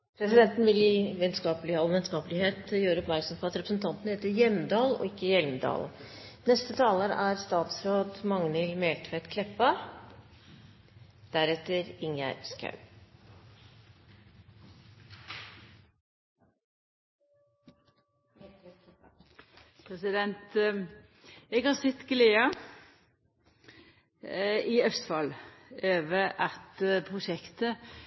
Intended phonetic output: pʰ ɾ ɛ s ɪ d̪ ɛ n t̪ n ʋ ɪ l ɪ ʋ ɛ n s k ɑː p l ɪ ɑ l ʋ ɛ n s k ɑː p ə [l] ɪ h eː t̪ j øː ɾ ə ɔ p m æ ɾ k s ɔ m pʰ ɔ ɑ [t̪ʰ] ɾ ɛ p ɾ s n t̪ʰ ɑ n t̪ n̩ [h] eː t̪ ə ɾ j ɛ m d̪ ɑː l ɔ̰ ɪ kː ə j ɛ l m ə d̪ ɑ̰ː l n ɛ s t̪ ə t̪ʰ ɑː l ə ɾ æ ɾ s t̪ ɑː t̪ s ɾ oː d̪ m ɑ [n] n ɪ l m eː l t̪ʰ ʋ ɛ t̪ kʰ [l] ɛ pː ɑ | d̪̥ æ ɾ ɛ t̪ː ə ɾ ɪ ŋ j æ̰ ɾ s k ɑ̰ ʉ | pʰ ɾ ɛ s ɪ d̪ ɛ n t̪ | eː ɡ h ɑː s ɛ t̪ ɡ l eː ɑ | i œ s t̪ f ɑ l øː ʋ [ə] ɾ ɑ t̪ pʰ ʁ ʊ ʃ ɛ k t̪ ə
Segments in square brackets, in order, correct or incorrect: correct, incorrect: t̪, correct, incorrect: ŋ, correct, correct

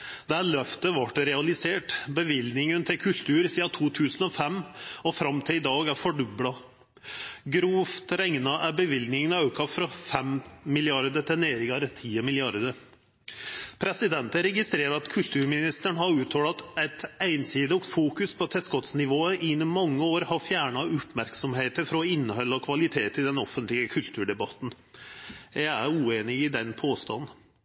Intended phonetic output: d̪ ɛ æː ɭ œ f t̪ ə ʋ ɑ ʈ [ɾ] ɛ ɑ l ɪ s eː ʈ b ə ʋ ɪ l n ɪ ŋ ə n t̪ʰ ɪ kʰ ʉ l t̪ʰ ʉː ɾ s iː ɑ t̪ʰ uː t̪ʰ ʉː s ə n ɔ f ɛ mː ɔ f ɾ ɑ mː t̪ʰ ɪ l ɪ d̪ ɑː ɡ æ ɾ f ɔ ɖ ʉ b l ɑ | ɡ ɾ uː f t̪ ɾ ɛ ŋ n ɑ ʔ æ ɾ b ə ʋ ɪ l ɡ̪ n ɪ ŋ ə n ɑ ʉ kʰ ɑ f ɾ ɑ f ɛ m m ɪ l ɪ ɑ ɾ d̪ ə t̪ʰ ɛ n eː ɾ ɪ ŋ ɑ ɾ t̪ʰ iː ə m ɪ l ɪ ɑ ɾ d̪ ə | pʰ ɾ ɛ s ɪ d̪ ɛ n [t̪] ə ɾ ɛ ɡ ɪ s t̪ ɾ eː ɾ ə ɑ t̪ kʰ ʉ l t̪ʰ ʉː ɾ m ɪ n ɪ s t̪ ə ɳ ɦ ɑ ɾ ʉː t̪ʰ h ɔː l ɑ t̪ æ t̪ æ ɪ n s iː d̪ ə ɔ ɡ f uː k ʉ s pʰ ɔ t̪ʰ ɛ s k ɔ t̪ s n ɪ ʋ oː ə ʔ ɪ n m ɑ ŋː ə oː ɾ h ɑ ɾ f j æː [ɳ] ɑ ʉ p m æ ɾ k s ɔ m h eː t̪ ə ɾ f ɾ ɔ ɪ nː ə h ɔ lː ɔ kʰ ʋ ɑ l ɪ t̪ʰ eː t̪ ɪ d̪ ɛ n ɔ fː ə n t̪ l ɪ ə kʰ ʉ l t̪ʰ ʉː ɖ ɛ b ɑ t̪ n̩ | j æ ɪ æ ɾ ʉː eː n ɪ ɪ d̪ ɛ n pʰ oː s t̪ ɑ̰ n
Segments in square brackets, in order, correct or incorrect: correct, correct, correct

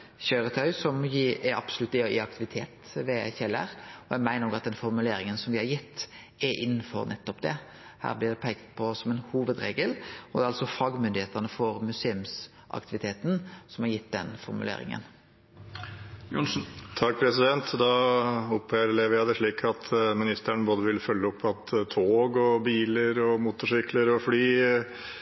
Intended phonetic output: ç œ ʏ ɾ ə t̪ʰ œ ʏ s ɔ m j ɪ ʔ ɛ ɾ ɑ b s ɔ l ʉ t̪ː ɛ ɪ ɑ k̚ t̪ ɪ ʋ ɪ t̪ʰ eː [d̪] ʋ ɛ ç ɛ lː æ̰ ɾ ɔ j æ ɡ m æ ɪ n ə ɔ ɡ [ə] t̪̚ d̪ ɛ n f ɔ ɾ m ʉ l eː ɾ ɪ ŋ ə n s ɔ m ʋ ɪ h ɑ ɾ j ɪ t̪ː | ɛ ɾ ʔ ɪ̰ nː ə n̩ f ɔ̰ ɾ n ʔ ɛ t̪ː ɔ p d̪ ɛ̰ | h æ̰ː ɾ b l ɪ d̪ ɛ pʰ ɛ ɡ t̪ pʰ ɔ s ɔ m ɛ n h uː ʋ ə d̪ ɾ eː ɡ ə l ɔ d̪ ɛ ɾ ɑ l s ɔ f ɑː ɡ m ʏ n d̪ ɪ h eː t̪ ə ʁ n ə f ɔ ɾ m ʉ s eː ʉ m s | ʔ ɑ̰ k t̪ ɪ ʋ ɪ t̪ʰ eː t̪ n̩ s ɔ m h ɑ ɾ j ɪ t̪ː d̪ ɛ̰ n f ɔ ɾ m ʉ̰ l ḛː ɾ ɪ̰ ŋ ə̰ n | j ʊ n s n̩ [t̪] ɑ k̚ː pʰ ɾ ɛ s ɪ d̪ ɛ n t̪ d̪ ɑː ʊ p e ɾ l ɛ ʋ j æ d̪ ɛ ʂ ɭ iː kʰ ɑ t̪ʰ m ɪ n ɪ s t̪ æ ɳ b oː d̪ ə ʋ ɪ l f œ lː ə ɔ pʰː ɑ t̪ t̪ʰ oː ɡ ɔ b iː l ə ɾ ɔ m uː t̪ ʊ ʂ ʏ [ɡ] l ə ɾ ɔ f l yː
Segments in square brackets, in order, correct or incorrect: incorrect: t̪, incorrect: ɑ, incorrect: t̪ʰ, incorrect: k

